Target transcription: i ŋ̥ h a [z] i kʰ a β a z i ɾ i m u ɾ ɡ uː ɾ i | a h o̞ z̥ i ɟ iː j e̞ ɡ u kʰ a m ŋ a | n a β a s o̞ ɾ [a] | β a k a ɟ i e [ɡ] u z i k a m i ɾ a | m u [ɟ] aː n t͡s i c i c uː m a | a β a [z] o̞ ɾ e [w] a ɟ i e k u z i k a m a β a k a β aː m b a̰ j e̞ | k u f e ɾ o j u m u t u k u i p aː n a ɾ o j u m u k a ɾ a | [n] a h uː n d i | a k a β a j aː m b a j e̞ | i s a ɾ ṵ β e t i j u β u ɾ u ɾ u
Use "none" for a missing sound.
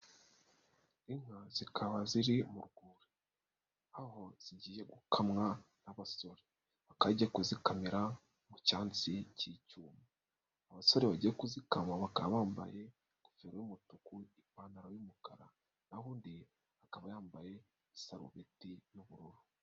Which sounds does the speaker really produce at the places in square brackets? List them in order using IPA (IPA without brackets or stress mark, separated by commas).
z, e, k, c, s, β, n